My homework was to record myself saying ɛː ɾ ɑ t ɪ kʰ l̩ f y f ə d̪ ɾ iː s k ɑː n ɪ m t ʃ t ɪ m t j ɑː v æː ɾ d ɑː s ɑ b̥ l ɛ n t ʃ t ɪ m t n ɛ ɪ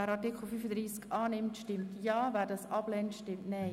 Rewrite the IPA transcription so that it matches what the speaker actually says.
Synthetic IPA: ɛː ɾ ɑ t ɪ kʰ l̩ f y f ə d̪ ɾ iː s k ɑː n ɪ m t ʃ t ɪ m t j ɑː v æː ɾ d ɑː s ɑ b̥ l ɛ n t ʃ t ɪ m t n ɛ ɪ